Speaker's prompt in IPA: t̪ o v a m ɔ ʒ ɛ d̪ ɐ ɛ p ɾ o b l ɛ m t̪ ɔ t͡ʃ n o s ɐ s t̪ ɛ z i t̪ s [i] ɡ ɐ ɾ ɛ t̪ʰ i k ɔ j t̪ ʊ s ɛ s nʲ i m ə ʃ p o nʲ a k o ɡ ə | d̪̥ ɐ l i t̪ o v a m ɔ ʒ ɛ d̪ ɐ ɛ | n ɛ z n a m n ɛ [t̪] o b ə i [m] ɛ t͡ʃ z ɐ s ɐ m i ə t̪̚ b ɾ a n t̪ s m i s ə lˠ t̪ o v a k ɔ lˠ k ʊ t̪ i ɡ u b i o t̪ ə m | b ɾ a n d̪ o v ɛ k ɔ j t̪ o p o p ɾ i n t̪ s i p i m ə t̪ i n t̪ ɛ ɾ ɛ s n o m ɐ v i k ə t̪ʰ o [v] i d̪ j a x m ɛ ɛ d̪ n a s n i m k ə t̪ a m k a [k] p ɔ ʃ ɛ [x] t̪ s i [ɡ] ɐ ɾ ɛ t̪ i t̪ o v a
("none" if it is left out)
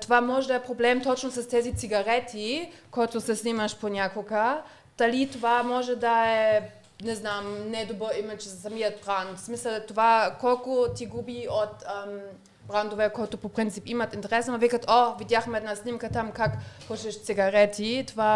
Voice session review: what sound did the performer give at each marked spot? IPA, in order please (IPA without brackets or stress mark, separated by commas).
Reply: i, d̪, m, v, k, ʃ, ɡ